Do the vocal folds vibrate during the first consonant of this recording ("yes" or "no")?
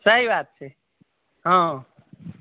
no